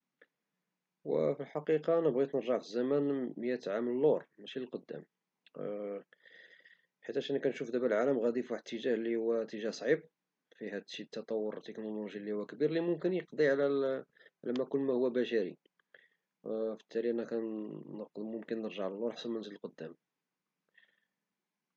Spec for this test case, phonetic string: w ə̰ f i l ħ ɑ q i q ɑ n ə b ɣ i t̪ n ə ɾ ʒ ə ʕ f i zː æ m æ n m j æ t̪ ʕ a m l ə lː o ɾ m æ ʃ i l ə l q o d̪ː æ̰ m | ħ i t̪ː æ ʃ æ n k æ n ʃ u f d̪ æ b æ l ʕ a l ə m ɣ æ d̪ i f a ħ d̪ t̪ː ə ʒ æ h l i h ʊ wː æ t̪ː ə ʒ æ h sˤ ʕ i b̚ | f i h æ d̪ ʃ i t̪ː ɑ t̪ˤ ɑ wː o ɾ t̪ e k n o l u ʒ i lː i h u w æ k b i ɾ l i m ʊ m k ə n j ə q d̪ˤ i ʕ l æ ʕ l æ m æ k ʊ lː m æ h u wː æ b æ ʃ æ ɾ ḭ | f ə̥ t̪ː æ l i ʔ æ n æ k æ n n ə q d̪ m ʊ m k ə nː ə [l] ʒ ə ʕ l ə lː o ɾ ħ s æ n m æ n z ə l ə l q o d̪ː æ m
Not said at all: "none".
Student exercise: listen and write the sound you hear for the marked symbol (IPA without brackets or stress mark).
ɾ